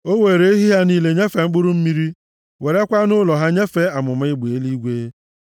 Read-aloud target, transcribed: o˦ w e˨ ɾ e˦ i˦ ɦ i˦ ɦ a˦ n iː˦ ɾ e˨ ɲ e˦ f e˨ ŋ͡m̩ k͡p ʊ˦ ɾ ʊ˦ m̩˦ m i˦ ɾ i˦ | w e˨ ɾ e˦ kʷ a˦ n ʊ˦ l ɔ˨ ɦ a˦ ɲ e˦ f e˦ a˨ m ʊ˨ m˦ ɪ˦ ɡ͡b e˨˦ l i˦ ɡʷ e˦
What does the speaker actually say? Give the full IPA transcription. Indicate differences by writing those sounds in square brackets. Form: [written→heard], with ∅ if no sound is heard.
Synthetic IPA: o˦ w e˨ ɾ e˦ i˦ ɦ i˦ ɦ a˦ n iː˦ [ɾ→l] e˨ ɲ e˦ f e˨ ŋ͡m̩ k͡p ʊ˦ ɾ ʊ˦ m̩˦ m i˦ ɾ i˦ | w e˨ ɾ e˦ kʷ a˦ n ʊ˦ l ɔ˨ ɦ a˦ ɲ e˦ f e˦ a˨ m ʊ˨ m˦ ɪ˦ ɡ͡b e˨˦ l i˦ ɡʷ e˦